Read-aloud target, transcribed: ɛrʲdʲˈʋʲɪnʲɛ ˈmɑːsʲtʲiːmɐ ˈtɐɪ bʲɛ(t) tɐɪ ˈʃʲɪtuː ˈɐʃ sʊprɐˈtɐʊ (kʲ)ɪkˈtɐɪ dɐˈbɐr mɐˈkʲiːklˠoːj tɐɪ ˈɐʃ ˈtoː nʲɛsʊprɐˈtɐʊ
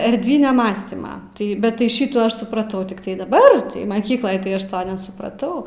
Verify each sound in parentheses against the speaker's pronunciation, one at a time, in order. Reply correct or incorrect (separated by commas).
correct, incorrect